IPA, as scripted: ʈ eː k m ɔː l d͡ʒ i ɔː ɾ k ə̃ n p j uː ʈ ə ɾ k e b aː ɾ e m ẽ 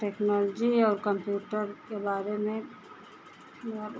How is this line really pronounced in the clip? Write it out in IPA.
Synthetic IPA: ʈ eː k n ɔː l d͡ʒ i ɔː ɾ k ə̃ m p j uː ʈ ə ɾ k e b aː ɾ e m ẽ